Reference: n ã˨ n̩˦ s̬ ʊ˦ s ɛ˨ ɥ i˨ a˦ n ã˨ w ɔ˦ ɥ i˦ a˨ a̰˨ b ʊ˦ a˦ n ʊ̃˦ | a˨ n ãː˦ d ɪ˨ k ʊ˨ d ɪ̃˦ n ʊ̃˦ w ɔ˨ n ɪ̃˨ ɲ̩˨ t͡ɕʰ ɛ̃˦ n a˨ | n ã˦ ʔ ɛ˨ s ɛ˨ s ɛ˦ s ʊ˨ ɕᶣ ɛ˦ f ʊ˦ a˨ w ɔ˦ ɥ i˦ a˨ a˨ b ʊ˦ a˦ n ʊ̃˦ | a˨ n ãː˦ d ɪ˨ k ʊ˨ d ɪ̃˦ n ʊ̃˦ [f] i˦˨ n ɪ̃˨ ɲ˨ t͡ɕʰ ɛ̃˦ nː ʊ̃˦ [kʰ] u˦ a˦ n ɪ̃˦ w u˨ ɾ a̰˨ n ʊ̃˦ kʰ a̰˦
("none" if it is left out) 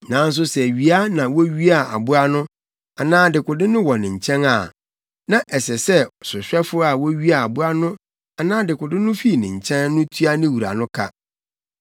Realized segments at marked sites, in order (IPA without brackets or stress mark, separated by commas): f, tʰ